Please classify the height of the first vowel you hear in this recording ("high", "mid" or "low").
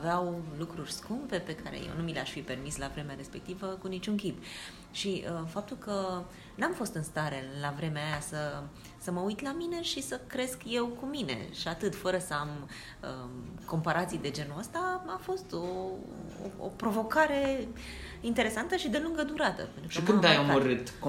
mid